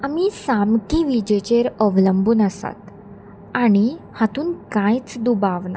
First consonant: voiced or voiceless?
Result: voiced